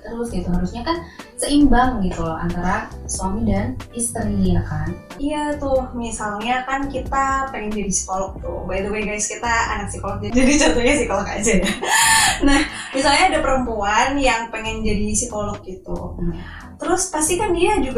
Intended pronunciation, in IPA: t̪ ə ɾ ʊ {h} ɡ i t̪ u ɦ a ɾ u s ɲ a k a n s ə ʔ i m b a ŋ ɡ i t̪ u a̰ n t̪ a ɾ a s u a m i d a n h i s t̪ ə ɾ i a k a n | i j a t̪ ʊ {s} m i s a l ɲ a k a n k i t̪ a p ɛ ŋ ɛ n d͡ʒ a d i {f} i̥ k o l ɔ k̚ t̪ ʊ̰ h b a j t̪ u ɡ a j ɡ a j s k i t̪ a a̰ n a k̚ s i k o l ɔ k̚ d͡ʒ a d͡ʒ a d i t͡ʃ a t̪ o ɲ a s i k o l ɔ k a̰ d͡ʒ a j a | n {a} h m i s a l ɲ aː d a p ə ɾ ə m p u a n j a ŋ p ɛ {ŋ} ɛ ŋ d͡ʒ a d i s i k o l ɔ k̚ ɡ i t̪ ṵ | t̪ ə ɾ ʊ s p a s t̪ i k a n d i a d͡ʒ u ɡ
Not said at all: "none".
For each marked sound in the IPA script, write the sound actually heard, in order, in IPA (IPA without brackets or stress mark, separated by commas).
s, h, s, a, ŋ